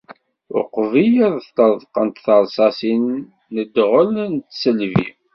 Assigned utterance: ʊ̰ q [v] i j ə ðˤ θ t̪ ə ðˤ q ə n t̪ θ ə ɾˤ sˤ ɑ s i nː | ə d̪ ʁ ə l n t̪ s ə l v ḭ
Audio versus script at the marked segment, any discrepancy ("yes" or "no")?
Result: no